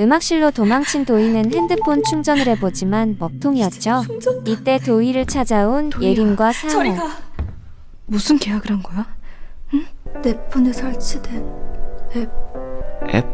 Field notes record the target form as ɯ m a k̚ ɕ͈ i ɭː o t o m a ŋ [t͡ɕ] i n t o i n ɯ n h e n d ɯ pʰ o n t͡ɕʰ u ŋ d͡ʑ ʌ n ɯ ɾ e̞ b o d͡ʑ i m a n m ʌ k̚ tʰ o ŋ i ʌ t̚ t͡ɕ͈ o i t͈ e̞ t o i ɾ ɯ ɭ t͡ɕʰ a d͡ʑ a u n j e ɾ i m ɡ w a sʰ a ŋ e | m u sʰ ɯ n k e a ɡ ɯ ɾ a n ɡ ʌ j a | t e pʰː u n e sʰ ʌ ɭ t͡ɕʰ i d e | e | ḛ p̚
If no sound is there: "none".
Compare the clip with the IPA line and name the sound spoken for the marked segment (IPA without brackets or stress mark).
t͡ɕʰ